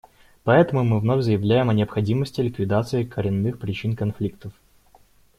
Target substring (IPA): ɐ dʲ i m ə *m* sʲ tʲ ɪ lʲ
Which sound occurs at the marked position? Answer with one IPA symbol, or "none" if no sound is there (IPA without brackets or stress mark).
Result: none